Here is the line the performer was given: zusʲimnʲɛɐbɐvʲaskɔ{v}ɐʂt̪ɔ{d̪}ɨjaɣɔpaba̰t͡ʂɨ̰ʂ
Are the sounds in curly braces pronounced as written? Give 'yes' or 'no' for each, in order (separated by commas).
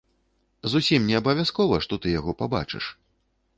yes, no